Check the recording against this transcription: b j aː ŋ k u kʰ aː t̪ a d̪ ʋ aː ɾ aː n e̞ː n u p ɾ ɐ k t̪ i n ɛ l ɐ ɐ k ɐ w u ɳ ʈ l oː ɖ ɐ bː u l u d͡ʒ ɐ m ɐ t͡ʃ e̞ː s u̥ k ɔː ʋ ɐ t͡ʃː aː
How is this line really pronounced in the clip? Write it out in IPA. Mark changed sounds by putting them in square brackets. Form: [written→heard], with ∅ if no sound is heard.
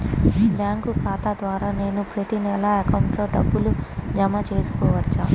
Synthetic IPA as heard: b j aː ŋ k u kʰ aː t̪ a d̪ ʋ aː ɾ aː n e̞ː n u p ɾ ɐ [k→∅] t̪ i n ɛ l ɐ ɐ k ɐ w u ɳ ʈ l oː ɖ ɐ bː u l u d͡ʒ ɐ m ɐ t͡ʃ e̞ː s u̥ k ɔː ʋ ɐ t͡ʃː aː